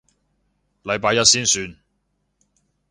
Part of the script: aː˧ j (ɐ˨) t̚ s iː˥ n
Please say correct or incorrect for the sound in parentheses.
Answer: incorrect